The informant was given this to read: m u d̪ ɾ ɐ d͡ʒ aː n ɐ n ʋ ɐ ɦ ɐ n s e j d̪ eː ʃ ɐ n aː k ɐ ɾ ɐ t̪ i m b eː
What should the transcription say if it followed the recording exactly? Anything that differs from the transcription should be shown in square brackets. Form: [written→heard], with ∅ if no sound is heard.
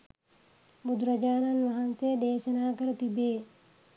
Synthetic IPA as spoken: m u d̪ ɾ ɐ d͡ʒ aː n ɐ n ʋ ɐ ɦ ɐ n s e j d̪ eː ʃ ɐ n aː k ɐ ɾ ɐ t̪ i [m→∅] b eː